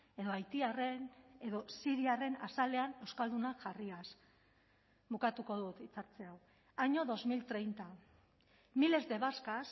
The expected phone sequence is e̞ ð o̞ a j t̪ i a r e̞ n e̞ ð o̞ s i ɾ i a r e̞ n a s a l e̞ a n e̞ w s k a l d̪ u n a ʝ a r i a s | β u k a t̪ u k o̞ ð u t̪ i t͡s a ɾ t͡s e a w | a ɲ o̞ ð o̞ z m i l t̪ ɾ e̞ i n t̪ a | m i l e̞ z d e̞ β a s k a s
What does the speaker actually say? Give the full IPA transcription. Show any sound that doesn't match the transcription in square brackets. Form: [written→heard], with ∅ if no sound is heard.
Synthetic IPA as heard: e̞ ð o̞ a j t̪ i a r e̞ n e̞ ð o̞ s i ɾ i a r e̞ n a s a l e̞ a n e̞ w s k a l d̪ u n a ʝ a r i a s | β u k a t̪ u k o̞ ð u t̪ i t͡s a ɾ t͡s e a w | a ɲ o̞ ð o̞ z m i l t̪ ɾ e̞ [i→j] n t̪ a | m i l e̞ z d e̞ β a s k a s